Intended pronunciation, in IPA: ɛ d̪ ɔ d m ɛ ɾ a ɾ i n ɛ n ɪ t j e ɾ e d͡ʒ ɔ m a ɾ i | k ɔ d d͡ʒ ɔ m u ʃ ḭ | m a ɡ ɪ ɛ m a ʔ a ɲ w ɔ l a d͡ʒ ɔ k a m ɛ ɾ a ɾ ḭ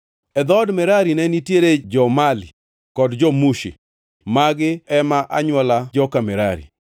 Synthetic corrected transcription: ɛ d̪ ɔ d m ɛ ɾ a ɾ i n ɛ n i t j e ɾ e d͡ʒ ɔ m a l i | k ɔ d d͡ʒ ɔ m u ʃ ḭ | m a ɡ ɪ ɛ m a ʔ a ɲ w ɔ l a d͡ʒ ɔ k a m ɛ ɾ a ɾ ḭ